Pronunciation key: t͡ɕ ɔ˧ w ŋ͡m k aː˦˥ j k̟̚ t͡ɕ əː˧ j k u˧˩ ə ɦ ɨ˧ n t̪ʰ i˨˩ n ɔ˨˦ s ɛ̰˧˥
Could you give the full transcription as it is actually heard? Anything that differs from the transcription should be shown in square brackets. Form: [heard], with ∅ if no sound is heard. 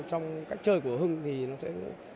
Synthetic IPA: t͡ɕ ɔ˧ w ŋ͡m k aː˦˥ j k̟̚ t͡ɕ əː˧ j k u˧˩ ə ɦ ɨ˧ [ŋ] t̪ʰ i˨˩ n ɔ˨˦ s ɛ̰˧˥